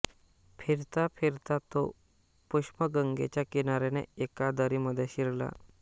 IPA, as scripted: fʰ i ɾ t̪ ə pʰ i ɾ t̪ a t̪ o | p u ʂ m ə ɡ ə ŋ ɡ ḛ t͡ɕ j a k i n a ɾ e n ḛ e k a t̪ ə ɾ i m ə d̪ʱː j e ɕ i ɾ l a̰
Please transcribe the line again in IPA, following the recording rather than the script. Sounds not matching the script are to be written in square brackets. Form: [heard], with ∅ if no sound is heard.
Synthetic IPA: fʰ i ɾ t̪ [a] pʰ i ɾ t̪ a t̪ o | p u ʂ m ə ɡ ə ŋ ɡ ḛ t͡ɕ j a k i n a ɾ e n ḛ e k a [d̪] ə ɾ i m ə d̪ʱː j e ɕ i ɾ l a̰